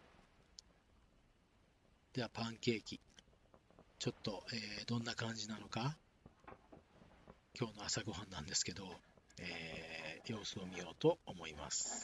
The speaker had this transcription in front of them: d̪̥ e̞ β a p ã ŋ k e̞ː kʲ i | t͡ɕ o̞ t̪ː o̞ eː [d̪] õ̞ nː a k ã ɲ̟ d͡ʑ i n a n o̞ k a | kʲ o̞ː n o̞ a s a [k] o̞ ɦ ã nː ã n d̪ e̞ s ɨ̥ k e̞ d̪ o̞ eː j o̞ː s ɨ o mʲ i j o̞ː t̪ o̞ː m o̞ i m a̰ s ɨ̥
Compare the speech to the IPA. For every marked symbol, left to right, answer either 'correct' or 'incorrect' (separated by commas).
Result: correct, incorrect